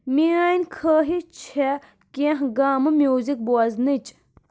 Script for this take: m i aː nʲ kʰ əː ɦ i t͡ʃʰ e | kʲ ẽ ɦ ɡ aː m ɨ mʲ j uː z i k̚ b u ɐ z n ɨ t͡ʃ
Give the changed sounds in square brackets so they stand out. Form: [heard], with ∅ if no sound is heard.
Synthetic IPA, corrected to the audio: m i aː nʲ kʰ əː ɦ i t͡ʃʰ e | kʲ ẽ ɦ ɡ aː m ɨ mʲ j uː z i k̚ b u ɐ z n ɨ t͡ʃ